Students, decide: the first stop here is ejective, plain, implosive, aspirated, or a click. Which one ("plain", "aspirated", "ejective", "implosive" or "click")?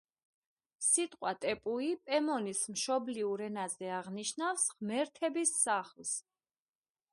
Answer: ejective